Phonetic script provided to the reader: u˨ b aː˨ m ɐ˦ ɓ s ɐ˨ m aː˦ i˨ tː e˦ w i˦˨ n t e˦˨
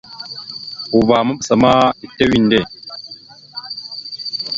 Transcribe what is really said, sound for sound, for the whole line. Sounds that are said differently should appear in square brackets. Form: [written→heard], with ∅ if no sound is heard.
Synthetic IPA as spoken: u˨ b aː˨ m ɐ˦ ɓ s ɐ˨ m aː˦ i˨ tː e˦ w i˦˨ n [t→d] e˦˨